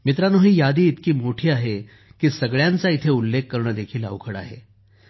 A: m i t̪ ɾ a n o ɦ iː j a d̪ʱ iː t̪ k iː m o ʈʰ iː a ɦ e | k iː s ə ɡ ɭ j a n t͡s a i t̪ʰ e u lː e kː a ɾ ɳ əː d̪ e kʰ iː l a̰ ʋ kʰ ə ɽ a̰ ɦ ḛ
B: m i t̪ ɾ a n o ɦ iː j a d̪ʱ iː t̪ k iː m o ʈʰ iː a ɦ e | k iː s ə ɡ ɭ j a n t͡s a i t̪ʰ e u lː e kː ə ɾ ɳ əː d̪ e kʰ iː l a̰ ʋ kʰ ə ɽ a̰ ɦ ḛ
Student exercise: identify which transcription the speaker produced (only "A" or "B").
B